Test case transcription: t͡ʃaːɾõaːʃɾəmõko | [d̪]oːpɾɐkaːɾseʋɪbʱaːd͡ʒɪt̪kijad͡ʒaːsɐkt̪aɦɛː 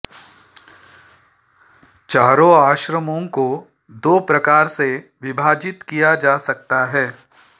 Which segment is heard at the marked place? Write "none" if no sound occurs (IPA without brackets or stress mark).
d̪